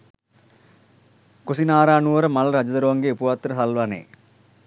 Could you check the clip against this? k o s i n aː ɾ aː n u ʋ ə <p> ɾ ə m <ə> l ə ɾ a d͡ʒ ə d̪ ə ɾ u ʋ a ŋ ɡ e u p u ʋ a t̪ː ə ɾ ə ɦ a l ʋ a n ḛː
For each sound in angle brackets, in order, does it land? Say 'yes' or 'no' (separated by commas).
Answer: no, no